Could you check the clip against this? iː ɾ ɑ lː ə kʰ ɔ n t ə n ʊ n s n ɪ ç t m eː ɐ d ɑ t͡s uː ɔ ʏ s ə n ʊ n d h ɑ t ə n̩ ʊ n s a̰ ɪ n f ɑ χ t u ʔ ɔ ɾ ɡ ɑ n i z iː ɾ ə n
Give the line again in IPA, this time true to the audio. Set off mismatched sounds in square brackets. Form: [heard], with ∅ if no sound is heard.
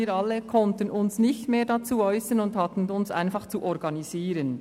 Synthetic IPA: iː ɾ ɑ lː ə kʰ ɔ n t ə n ʊ n s n ɪ ç t m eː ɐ d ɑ t͡s uː ɔ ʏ s ə n ʊ n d h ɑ t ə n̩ ʊ n s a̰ ɪ n f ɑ χ [t͡s] u ʔ ɔ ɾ ɡ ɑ n i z iː ɾ ə n